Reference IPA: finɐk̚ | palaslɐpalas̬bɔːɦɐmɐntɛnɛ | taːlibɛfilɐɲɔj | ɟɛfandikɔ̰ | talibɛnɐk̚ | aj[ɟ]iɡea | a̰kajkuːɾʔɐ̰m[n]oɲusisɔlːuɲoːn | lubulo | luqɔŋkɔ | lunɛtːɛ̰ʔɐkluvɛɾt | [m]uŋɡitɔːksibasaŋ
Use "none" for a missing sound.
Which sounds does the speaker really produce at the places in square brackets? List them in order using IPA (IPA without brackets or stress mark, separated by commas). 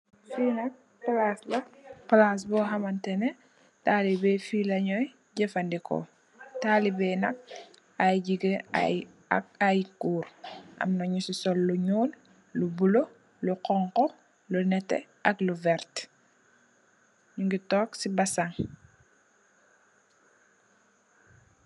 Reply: ɟ, n, ɲ